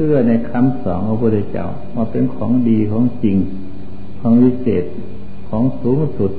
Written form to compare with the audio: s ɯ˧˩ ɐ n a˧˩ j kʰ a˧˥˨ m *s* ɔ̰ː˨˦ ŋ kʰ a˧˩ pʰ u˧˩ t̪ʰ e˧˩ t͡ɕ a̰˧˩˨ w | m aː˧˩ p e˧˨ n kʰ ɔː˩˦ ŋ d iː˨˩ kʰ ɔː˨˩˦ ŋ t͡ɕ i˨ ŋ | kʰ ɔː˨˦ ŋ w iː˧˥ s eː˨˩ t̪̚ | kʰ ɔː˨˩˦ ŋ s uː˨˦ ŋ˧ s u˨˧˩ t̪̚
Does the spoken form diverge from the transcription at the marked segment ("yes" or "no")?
no